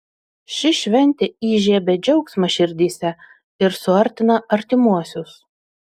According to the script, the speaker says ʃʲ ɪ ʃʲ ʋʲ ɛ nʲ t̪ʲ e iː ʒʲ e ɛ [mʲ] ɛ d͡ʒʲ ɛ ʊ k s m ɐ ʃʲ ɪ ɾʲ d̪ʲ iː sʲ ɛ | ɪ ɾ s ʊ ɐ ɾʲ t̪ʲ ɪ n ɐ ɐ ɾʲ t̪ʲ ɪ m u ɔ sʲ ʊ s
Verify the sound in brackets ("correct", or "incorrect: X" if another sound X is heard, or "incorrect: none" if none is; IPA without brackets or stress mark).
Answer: incorrect: bʲ